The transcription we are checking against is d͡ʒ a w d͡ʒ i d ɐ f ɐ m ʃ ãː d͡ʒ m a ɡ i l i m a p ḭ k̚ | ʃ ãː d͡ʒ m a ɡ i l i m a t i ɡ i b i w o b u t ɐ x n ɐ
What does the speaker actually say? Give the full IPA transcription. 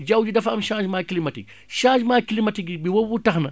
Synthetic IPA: d͡ʒ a w d͡ʒ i d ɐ f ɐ m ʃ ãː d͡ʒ m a k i l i m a t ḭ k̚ | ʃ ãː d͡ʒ m a k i l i m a t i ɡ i b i w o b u t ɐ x n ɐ